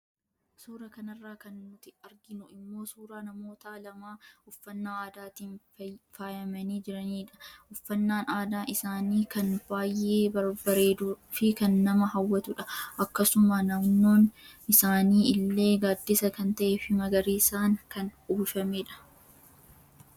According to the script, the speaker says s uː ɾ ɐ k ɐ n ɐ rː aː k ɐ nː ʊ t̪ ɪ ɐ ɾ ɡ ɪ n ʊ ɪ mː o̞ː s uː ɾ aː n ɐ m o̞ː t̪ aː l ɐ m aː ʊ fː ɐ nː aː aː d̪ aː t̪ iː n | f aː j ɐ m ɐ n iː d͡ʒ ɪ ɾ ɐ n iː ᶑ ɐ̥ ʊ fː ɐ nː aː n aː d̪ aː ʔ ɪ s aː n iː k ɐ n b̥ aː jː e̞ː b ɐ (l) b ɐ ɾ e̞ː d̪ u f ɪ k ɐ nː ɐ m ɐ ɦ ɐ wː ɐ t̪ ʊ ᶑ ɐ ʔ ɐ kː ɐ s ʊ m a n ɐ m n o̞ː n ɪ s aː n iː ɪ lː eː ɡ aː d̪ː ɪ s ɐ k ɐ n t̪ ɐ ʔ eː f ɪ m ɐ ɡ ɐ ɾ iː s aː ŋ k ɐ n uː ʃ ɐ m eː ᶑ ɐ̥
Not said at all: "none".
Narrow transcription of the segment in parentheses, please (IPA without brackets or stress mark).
ɾ